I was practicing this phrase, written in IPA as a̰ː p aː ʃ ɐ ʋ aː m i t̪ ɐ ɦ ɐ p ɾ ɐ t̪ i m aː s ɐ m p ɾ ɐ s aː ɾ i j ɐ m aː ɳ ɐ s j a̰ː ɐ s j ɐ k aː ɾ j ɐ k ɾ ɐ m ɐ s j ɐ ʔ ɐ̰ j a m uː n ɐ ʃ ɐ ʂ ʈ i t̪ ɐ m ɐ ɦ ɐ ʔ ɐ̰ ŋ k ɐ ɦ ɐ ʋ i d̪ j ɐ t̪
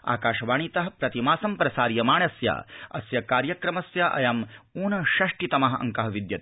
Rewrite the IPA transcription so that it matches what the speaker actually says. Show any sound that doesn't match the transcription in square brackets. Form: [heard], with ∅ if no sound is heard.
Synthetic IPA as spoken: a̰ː [k] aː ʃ ɐ ʋ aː [ɳ] i t̪ ɐ ɦ ɐ p ɾ ɐ t̪ i m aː s ɐ m p ɾ ɐ s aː ɾ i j ɐ m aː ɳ ɐ s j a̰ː ɐ s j ɐ k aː ɾ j ɐ k ɾ ɐ m ɐ s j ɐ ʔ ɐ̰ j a m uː n ɐ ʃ ɐ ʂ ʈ i t̪ ɐ m ɐ ɦ ɐ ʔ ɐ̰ ŋ k ɐ ɦ ɐ ʋ i d̪ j ɐ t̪

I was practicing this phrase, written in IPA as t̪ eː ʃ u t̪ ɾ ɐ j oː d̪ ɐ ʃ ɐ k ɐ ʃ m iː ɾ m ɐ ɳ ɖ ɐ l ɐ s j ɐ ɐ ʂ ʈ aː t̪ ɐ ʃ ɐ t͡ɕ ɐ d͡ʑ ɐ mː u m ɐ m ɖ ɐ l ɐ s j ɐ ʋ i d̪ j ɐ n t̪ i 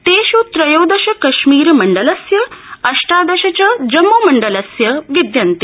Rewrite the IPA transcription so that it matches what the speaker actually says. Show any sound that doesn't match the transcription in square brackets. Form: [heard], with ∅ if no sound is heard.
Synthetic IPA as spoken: t̪ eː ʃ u t̪ ɾ ɐ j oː d̪ ɐ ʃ ɐ k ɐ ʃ m iː ɾ m ɐ ɳ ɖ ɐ l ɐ s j ɐ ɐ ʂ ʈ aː [d̪] ɐ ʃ ɐ t͡ɕ ɐ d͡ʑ ɐ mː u m ɐ [ɳ] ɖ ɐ l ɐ s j ɐ ʋ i d̪ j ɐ n t̪ i

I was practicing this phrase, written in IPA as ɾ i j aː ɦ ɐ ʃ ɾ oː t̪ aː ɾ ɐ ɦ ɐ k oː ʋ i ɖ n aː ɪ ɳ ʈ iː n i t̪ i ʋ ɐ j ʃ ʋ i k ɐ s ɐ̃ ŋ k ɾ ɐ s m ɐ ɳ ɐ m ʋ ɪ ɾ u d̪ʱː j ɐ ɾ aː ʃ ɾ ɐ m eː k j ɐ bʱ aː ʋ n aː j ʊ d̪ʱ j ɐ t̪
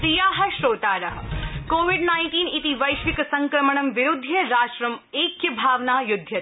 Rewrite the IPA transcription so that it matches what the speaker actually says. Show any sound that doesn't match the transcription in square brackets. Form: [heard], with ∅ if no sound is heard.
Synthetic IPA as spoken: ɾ i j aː ɦ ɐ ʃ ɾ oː t̪ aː ɾ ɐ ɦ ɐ k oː ʋ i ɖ n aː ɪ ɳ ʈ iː n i t̪ i ʋ ɐ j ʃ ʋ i k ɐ s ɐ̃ ŋ k ɾ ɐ [∅] m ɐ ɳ ɐ m ʋ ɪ ɾ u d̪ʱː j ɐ ɾ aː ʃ ɾ ɐ m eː k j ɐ bʱ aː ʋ n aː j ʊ d̪ʱ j ɐ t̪

